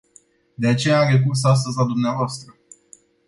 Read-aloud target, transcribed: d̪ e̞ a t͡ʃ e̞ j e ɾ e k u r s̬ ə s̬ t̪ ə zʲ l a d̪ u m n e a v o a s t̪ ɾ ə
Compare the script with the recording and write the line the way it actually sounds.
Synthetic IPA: d̪ e̞ a t͡ʃ e̞ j a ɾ e k u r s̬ a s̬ t̪ ə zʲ l a d̪ u m n e a v o a s t̪ ɾ ə